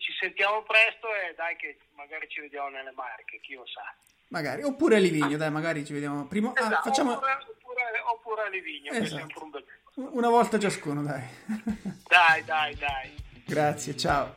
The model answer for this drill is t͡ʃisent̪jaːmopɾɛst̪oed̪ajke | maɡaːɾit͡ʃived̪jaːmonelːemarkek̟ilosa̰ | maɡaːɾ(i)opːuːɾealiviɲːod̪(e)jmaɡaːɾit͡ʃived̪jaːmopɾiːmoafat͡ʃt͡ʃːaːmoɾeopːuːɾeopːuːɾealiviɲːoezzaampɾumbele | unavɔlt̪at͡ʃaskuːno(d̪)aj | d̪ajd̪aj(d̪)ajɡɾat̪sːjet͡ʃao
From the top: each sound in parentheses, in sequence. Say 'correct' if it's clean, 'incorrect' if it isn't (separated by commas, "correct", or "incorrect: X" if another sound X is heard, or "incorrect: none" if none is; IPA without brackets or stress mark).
correct, incorrect: a, correct, correct